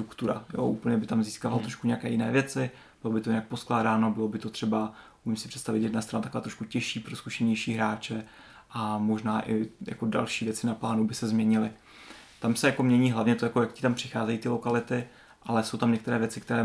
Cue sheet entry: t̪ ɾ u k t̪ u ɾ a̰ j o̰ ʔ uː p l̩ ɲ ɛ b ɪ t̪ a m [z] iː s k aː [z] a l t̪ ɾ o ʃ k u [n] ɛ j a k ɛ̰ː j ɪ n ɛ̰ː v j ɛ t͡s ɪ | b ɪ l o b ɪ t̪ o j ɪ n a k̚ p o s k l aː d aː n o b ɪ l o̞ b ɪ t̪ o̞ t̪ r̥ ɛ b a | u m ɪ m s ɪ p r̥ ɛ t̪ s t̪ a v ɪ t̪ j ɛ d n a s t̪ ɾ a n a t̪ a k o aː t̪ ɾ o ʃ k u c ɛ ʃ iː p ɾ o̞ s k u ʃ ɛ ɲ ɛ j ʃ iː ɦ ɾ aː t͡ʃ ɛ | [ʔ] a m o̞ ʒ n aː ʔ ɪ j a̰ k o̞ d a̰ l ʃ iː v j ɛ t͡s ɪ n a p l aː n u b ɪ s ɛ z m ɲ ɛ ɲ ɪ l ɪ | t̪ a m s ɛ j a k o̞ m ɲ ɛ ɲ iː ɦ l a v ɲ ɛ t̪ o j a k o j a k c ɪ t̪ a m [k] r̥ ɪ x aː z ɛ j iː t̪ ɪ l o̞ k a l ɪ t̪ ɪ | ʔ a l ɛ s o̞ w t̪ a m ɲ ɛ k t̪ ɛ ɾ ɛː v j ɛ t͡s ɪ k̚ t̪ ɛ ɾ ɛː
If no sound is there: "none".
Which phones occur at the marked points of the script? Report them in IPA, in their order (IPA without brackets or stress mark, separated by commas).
z, v, ɲ, ʔ, p